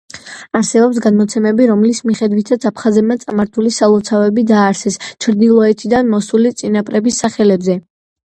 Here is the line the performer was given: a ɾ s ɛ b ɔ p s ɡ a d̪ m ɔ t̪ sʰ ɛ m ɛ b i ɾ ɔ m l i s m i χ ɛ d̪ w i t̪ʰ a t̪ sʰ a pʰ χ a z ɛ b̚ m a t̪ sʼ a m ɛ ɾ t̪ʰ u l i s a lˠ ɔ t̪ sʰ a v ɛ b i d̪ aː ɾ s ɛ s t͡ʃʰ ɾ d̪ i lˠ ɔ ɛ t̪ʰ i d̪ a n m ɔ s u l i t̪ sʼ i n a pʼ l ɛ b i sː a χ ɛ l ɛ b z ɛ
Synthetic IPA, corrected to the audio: a ɾ s ɛ b ɔ p s ɡ a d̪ m ɔ t̪ sʰ ɛ m ɛ b i ɾ ɔ m l i s m i χ ɛ d̪ w i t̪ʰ a t̪ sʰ a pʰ χ a z ɛ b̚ m a t̪ sʼ a m a ɾ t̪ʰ u l i s a lˠ ɔ t̪ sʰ a v ɛ b i d̪ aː ɾ s ɛ s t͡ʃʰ ɾ d̪ i lˠ ɔ ɛ t̪ʰ i d̪ a n m ɔ s u l i t̪ sʼ i n a pʼ ɾ ɛ b i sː a χ ɛ l ɛ b z ɛ